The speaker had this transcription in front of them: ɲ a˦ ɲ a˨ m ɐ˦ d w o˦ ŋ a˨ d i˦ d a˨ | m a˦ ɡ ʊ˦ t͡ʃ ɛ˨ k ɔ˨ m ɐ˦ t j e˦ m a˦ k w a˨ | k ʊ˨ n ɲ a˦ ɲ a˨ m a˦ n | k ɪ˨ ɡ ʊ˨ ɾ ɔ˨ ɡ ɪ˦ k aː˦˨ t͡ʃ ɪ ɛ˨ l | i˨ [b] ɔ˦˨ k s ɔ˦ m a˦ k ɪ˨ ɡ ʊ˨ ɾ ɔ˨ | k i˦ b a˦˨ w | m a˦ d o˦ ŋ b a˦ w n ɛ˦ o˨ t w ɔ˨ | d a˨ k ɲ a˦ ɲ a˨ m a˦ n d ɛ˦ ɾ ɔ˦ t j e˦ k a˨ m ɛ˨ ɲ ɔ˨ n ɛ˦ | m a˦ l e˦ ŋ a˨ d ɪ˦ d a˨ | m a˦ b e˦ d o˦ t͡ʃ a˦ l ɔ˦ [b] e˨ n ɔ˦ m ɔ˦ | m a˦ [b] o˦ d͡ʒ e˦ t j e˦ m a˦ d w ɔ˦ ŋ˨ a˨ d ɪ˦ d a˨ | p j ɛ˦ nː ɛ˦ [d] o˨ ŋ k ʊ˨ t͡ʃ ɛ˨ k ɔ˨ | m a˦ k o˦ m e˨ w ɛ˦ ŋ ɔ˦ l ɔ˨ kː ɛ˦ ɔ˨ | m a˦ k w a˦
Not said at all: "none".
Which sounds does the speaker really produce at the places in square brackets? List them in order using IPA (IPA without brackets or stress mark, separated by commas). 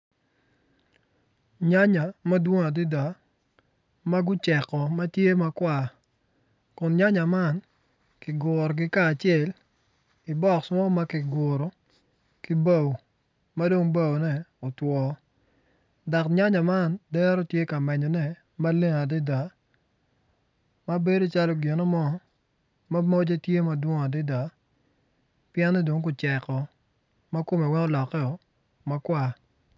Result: b, ɡ, m, d